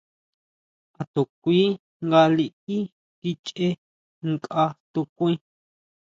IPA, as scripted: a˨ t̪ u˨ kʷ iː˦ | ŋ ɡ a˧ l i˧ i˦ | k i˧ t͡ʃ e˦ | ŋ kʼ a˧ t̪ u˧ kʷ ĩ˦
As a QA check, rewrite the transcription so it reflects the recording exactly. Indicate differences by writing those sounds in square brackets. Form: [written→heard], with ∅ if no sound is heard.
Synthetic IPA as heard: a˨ t̪ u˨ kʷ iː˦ | ŋ ɡ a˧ l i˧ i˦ | k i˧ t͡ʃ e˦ | ŋ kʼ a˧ t̪ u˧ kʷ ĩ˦